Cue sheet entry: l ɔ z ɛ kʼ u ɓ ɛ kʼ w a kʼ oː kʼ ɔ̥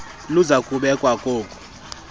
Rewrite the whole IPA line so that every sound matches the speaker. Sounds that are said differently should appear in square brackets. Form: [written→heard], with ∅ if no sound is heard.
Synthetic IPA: l [ɔ→u] z [ɛ→a] kʼ u ɓ ɛ kʼ w a kʼ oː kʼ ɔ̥

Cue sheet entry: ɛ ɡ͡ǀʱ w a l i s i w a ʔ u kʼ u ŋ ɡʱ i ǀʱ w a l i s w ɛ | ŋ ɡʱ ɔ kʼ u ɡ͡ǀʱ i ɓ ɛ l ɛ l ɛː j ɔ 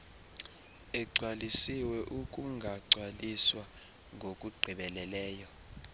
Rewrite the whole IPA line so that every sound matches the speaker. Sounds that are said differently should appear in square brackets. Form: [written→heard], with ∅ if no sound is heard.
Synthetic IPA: ɛ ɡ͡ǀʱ w a l i s i w [a→ɛ] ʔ u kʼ u ŋ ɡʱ [i→a] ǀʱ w a l i s w [ɛ→a] | ŋ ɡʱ [ɔ→o] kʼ u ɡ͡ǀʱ i ɓ ɛ l ɛ l ɛː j ɔ

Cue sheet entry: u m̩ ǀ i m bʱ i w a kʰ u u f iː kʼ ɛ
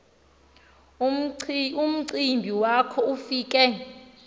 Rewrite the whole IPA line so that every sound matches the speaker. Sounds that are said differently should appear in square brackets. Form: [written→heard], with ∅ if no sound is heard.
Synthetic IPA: u m̩ ǀ i m bʱ i w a kʰ [u→ɔ] u f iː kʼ ɛ

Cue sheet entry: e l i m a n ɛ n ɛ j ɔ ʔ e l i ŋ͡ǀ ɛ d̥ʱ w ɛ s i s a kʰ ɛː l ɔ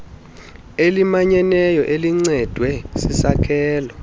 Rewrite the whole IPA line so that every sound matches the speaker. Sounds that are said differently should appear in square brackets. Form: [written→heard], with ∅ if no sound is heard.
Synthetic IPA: e l i m a [n→ɲ] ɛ n ɛ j ɔ ʔ e l i ŋ͡ǀ ɛ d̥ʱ w ɛ s i s a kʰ ɛː l ɔ

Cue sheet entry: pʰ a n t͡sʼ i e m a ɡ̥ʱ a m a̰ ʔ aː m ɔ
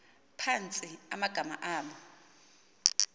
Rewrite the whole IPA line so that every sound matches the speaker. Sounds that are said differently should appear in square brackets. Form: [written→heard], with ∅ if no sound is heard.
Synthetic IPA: pʰ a n t͡sʼ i [e→a] m a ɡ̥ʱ a m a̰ ʔ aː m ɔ

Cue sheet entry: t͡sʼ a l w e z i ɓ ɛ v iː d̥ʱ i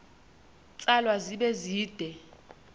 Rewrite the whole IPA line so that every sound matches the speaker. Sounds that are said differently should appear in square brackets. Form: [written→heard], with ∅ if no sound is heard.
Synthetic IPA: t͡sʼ a l w [e→a] z i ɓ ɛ [v→z] iː d̥ʱ [i→ɛ]

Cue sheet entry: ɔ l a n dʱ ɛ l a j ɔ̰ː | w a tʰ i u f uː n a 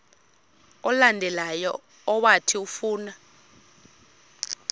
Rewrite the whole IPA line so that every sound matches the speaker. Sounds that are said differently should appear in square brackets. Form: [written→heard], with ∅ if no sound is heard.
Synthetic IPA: ɔ l a n dʱ ɛ l a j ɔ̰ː | w a tʰ i u f uː n a

